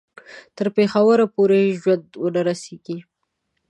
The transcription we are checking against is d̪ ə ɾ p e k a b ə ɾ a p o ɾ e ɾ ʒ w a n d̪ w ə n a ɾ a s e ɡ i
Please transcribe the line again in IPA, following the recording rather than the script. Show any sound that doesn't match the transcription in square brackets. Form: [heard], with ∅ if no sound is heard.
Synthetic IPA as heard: [t̪] ə ɾ p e [x] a [w] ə ɾ a p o ɾ e [∅] ʒ w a n d̪ w ə n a ɾ a s e ɡ i